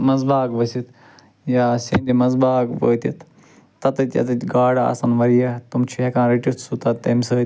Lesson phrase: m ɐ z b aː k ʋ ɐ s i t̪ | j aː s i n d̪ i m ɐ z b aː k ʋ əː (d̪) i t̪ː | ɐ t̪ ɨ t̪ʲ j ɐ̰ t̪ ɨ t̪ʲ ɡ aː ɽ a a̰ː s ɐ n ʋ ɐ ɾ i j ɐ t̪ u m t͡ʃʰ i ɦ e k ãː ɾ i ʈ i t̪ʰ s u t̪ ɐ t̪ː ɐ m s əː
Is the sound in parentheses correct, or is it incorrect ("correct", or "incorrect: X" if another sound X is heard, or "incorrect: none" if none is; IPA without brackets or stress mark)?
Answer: incorrect: t̪